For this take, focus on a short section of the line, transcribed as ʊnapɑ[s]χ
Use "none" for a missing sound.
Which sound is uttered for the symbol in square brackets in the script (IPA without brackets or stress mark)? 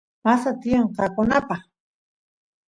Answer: none